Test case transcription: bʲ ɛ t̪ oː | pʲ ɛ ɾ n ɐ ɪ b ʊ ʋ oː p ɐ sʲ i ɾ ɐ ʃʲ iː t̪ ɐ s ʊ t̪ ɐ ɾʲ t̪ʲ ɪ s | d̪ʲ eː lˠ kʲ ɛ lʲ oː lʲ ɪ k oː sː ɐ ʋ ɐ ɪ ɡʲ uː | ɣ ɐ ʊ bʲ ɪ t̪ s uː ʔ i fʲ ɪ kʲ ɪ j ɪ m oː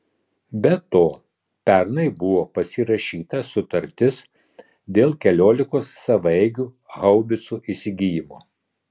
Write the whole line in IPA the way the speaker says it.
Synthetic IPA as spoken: bʲ ɛ t̪ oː | pʲ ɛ ɾ n ɐ ɪ b ʊ ʋ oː p ɐ sʲ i ɾ ɐ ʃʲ iː t̪ ɐ s ʊ t̪ ɐ ɾʲ t̪ʲ ɪ s | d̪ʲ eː lˠ kʲ ɛ lʲ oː lʲ ɪ k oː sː ɐ ʋ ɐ ɪ ɡʲ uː | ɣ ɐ ʊ bʲ ɪ t̪ s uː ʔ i sʲ ɪ ɡʲ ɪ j ɪ m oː